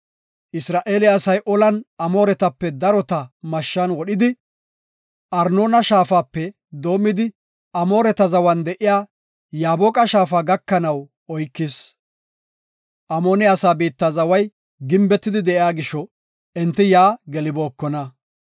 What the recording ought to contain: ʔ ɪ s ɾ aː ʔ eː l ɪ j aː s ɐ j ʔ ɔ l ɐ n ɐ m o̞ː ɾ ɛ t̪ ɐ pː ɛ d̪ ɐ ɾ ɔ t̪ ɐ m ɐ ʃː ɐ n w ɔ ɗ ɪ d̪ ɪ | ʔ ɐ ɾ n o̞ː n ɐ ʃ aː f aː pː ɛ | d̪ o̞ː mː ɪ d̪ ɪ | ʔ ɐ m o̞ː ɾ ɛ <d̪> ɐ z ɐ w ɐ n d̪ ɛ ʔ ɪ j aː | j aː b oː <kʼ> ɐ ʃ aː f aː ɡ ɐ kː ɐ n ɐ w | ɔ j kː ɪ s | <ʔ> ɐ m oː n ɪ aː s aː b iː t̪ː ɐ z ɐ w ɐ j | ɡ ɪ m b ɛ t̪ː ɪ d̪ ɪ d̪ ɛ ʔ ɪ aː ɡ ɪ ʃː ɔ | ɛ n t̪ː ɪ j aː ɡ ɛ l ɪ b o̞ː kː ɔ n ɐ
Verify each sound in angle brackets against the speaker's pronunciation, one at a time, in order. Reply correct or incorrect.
incorrect: t̪, correct, correct

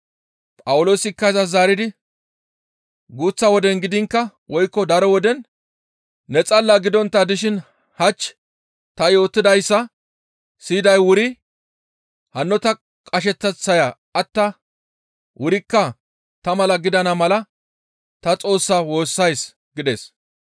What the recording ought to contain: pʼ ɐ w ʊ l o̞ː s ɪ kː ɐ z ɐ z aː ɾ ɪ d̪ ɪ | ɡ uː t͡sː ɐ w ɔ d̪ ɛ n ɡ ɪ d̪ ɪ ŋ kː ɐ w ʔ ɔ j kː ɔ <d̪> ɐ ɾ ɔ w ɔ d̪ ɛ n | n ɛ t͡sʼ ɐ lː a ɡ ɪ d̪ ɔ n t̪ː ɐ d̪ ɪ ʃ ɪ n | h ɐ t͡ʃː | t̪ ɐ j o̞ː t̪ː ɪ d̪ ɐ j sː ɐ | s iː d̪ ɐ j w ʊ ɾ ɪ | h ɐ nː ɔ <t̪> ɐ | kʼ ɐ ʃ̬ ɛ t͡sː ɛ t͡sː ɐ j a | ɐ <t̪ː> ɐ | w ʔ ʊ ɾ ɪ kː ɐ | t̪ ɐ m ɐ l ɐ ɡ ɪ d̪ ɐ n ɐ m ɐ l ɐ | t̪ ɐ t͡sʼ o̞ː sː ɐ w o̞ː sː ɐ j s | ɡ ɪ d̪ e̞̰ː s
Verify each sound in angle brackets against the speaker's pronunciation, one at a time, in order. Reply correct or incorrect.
correct, correct, correct

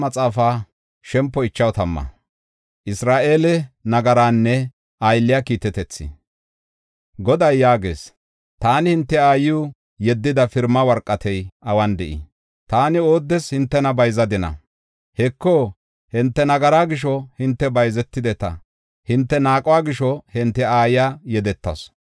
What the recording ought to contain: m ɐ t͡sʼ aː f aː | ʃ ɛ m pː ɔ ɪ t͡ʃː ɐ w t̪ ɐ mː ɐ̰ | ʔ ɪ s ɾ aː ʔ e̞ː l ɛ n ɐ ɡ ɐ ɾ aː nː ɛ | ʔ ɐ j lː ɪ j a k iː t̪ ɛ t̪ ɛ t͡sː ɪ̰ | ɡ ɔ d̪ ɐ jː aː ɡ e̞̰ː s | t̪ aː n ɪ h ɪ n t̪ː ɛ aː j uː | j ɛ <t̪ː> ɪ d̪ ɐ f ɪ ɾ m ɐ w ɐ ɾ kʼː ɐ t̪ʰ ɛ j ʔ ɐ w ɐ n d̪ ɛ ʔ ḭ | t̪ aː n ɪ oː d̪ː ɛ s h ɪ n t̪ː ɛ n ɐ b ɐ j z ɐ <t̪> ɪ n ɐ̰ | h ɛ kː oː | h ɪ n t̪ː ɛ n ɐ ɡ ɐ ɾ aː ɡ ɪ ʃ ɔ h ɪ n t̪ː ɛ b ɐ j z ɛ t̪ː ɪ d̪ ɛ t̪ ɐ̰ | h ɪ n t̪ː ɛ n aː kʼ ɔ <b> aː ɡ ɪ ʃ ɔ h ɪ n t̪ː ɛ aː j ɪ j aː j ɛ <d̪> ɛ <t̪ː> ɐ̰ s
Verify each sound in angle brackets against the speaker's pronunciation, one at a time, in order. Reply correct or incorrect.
incorrect: d̪ː, incorrect: d̪, incorrect: w, correct, correct

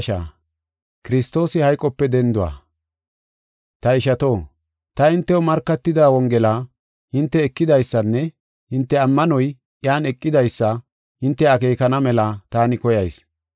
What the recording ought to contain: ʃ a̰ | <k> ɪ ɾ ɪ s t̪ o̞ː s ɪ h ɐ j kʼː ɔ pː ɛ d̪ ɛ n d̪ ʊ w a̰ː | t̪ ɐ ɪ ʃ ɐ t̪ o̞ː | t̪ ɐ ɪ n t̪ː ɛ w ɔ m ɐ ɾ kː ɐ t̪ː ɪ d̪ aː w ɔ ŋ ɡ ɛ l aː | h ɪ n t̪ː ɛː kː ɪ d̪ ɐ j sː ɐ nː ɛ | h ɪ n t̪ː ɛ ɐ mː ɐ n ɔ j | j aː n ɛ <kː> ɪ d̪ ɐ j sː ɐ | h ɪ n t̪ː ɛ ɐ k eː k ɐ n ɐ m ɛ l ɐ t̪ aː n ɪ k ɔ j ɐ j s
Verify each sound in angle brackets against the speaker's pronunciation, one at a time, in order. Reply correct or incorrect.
correct, incorrect: kʼː

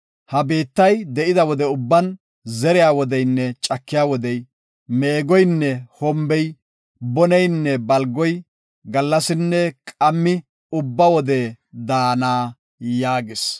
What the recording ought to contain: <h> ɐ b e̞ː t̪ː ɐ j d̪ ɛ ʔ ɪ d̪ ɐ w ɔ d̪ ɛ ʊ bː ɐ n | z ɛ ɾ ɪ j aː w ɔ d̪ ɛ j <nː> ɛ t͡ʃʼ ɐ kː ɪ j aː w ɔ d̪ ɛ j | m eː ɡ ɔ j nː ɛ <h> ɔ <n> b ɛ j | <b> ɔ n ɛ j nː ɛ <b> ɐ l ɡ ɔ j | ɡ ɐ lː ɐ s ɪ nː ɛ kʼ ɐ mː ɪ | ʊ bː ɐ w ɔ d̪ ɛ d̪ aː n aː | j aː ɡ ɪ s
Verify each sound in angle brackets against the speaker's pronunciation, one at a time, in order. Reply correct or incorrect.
correct, correct, correct, incorrect: m, correct, correct

